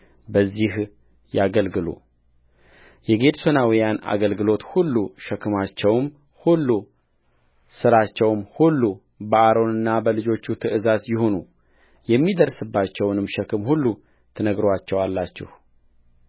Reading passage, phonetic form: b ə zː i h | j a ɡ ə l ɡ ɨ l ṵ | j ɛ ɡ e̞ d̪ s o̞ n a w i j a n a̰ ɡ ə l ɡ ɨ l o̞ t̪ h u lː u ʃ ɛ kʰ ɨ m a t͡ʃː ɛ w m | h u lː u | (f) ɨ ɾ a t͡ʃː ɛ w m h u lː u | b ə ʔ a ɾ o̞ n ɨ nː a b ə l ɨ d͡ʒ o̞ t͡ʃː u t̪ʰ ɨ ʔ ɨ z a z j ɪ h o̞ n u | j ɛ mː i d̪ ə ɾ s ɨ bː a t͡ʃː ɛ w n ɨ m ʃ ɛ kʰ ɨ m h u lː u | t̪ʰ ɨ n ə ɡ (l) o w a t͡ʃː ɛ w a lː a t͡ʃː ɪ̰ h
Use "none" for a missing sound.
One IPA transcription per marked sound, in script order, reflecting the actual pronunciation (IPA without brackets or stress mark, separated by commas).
s, ɾ